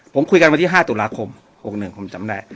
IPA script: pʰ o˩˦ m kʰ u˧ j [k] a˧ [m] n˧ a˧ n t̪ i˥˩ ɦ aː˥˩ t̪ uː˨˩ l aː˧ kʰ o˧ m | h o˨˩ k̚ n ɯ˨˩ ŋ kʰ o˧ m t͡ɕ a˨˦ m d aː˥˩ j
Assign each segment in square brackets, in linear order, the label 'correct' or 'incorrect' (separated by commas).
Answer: correct, incorrect